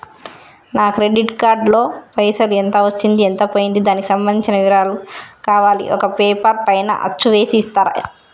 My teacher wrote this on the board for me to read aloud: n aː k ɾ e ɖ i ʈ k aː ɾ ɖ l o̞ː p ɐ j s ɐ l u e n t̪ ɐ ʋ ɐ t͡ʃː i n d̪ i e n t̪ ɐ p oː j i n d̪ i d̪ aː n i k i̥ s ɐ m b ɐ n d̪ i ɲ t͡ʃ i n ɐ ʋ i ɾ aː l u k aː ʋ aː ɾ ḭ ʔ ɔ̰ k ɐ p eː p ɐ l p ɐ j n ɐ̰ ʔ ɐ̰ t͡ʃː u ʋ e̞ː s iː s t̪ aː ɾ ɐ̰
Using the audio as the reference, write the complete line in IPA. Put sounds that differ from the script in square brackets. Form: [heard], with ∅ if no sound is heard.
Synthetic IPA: n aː k ɾ e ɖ i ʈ k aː ɾ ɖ l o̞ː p ɐ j s ɐ l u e n t̪ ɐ ʋ ɐ t͡ʃː i n d̪ i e n t̪ ɐ p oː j i n d̪ i d̪ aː n i k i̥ s ɐ m b ɐ n d̪ i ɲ t͡ʃ i n ɐ ʋ i ɾ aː l u k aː ʋ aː [l] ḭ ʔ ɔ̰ k ɐ p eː p ɐ [ɾ] p ɐ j n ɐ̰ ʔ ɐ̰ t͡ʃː u ʋ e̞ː s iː s t̪ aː ɾ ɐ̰